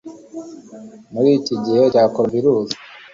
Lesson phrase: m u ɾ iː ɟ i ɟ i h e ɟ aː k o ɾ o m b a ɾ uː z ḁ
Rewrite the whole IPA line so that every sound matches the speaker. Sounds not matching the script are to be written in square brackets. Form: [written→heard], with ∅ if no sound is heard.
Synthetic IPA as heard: m u ɾ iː [ɟ→c] i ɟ i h e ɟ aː k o ɾ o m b [a→i] ɾ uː z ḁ

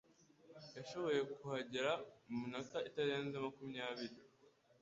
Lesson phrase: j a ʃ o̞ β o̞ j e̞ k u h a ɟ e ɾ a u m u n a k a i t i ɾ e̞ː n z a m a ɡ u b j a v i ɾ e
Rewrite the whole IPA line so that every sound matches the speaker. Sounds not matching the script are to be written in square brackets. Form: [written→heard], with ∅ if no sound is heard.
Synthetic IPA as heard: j a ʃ o̞ β o̞ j e̞ k u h a ɟ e ɾ a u m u n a k a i t [i→a] ɾ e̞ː n z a m a [ɡ→k] u [b→m] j a [v→β] i ɾ [e→i]

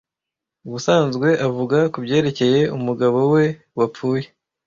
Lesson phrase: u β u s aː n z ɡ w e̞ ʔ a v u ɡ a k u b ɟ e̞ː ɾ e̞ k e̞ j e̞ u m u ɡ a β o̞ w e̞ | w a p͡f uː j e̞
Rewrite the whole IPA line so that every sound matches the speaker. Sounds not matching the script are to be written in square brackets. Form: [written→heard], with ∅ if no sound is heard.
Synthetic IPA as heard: u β u s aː n z ɡ w e̞ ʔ a v u ɡ a k u b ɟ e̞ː ɾ e̞ [k→c] e̞ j e̞ u m u ɡ a β o̞ w e̞ | w a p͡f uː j e̞

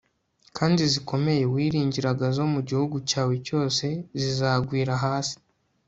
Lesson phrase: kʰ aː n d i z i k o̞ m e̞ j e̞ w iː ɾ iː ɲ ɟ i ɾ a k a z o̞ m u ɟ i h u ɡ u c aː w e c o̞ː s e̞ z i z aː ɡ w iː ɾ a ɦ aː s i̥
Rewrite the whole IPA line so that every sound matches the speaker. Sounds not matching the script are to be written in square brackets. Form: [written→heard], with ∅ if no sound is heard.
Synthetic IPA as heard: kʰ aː n d i z i k o̞ m e̞ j e̞ w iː ɾ iː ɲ ɟ i ɾ a [k→ɡ] a z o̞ m u ɟ i h u ɡ u c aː w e c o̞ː s e̞ z i z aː ɡ w iː ɾ a ɦ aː s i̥

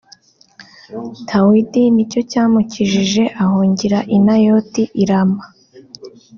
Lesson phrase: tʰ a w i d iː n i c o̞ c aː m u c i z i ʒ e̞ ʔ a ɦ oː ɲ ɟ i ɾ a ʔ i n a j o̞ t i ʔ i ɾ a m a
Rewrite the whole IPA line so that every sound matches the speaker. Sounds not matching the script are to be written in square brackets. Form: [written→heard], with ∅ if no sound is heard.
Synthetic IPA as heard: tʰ a w i d [iː→i] n i c o̞ c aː m u c i [z→ʒ] i ʒ e̞ ʔ a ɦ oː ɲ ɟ i ɾ a ʔ i n a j o̞ t i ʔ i ɾ a m a

